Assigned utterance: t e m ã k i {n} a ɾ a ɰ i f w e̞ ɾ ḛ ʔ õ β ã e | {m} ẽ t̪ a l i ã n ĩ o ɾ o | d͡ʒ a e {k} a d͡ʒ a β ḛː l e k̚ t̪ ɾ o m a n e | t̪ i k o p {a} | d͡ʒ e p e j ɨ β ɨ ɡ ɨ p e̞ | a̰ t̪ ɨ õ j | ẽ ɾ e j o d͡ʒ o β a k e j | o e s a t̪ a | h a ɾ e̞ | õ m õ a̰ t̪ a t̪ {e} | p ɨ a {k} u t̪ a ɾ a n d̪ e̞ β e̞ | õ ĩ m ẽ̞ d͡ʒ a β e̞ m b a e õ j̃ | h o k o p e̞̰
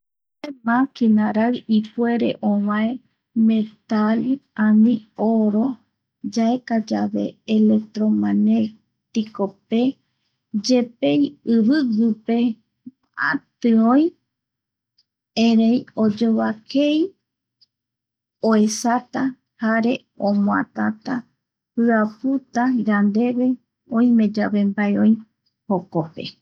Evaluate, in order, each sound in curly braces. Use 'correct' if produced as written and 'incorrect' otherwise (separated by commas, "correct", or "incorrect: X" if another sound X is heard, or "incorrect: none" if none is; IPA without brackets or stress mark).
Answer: correct, correct, correct, incorrect: e, incorrect: a, incorrect: p